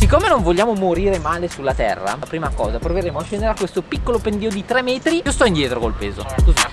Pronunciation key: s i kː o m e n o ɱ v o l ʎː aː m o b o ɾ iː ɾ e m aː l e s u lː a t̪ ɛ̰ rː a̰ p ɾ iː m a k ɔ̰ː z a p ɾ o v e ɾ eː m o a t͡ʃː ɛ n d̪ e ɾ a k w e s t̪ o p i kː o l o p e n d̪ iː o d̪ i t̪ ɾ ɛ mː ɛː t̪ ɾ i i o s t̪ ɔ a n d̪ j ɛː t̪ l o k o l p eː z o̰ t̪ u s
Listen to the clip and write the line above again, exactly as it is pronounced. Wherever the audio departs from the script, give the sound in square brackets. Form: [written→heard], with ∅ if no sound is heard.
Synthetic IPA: s i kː o m e n o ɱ v o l ʎː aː m o [b→m] o ɾ iː ɾ e m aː l e s u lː a t̪ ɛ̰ rː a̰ p ɾ iː m a k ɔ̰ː z a p ɾ o v e ɾ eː m o a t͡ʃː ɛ n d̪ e ɾ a k w e s t̪ o p i kː o l o p e n d̪ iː o d̪ i t̪ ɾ ɛ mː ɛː t̪ ɾ i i o s t̪ ɔ [a→i] n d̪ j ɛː t̪ [l→ɾ] o k o l p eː z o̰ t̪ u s